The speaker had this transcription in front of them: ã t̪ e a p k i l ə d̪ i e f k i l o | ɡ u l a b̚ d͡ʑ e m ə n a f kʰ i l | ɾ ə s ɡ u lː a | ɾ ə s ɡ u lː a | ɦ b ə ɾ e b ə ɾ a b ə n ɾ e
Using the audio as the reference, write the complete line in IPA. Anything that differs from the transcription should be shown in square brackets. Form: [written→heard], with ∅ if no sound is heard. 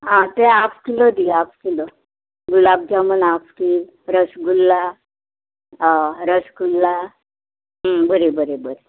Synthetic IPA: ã t̪ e a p k i l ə d̪ i [e→a] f k i l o | ɡ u l a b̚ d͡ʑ [e→a] m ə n a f [kʰ→k] i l | ɾ ə s ɡ u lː a | ɾ ə s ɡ u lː a | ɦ b ə ɾ e b ə ɾ [a→e] b ə [n→∅] ɾ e